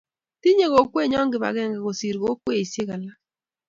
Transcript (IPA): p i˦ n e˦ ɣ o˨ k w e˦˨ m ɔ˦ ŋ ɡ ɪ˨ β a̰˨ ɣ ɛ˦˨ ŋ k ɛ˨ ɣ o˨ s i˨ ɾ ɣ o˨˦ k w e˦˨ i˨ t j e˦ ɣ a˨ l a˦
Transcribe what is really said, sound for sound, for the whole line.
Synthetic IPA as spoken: t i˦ ɲ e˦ ɣ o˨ k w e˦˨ ɲ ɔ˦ ŋ ɡ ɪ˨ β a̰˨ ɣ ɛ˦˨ ŋ ɡ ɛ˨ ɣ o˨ s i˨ ɾ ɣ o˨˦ k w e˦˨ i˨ s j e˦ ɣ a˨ l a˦